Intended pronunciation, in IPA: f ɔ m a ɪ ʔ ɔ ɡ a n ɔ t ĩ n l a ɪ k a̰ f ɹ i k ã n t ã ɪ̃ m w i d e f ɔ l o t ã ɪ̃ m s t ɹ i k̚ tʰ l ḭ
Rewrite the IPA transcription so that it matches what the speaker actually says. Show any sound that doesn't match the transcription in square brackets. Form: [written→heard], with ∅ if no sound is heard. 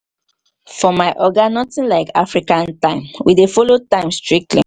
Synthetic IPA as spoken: f ɔ m a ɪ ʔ ɔ ɡ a n ɔ t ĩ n l a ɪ k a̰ f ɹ i k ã n t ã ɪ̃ m w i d e f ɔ l o t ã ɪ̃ m s t ɹ i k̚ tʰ l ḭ